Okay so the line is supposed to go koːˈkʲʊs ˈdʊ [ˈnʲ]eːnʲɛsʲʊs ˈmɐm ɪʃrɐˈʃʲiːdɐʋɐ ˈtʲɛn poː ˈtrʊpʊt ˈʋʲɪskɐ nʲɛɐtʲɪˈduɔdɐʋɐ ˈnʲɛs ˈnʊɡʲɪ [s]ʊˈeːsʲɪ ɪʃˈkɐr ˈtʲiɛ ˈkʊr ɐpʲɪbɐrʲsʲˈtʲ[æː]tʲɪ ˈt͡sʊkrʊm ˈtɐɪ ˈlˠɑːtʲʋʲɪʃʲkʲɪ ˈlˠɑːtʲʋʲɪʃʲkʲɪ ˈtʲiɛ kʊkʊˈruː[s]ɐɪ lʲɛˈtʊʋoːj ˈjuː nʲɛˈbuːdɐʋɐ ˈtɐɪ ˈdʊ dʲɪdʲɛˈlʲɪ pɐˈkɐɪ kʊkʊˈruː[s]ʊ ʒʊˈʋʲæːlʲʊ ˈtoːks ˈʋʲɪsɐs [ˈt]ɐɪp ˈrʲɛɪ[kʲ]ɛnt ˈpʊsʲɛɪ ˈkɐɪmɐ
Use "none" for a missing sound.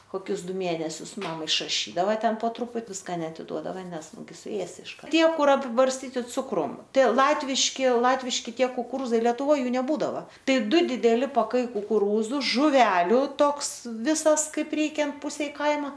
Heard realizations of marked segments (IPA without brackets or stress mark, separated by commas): mʲ, s, iː, z, z, k, kʲ